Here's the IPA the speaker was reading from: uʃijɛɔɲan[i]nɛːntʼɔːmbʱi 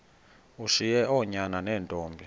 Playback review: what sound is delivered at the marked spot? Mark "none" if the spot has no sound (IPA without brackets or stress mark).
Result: a